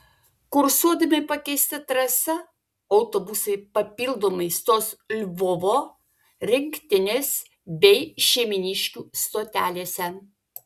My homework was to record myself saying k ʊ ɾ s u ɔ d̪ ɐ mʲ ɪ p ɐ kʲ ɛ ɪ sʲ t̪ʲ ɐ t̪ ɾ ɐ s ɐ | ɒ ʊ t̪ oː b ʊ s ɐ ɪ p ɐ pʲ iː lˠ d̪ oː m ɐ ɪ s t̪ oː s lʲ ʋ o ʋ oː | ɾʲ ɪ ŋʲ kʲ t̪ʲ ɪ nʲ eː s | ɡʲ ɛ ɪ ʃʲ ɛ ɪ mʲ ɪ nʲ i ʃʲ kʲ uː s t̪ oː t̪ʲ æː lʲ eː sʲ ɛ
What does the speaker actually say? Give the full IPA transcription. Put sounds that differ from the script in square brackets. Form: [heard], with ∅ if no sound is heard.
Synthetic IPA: k ʊ ɾ s u ɔ d̪ ɐ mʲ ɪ p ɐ kʲ ɛ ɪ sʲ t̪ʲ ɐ t̪ ɾ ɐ s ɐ | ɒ ʊ t̪ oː b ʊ s ɐ ɪ p ɐ pʲ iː lˠ d̪ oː m ɐ ɪ s t̪ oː s lʲ ʋ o ʋ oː | ɾʲ ɪ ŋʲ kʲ t̪ʲ ɪ nʲ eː s | [bʲ] ɛ ɪ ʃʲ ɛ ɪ mʲ ɪ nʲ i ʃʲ kʲ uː s t̪ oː t̪ʲ æː lʲ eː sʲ ɛ